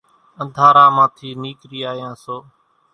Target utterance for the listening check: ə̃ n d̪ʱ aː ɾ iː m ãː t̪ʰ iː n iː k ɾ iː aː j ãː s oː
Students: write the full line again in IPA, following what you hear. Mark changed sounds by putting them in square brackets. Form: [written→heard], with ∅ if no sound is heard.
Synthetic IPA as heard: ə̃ n d̪ʱ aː ɾ [iː→aː] m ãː t̪ʰ iː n iː k ɾ iː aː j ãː s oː

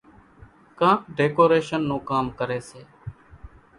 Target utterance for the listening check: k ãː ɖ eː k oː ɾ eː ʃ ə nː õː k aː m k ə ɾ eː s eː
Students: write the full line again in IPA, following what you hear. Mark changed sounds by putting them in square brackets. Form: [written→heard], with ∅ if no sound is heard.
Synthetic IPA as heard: k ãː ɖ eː k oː ɾ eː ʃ ə nː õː k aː m k ə ɾ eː s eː

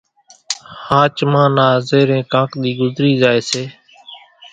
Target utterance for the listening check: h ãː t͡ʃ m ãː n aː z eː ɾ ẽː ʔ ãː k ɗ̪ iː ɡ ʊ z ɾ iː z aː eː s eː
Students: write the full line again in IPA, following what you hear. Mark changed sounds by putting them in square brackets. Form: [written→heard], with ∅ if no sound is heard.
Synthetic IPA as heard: h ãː t͡ʃ m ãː n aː z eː ɾ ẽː [ʔ→k] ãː k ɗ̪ iː ɡ ʊ z ɾ iː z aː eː s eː

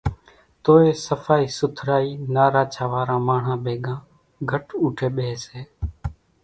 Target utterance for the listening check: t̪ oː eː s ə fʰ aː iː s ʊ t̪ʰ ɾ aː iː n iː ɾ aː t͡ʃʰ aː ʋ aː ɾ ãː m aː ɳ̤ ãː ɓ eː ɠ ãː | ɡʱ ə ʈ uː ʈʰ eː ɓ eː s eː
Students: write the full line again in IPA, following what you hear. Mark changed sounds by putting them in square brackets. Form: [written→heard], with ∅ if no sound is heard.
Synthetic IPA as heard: t̪ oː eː s ə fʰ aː iː s ʊ t̪ʰ ɾ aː iː n [iː→aː] ɾ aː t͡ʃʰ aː ʋ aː ɾ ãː m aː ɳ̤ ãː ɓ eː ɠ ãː | ɡʱ ə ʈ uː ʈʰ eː ɓ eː s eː

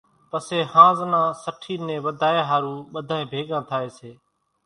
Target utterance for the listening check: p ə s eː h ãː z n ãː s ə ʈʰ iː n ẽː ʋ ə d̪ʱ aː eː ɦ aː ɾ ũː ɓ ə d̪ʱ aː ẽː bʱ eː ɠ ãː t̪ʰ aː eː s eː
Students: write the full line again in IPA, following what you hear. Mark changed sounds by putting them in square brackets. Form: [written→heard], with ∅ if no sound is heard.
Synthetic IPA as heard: p ə s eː h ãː z n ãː s ə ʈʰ iː n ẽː ʋ ə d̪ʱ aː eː ɦ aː ɾ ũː ɓ ə d̪ʱ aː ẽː bʱ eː ɠ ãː t̪ʰ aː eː s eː

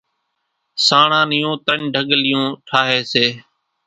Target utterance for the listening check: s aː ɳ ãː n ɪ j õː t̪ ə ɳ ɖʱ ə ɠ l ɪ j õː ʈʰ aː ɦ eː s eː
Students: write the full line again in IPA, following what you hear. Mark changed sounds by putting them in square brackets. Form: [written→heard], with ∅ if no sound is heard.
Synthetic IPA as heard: s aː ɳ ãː n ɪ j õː t̪ ə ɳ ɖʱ ə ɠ l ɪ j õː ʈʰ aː ɦ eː s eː

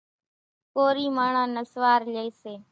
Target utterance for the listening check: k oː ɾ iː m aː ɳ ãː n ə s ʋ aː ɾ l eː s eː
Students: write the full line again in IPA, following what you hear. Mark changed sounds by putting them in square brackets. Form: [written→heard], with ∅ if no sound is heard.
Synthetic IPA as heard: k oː ɾ iː m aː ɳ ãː n ə s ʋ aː ɾ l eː s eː

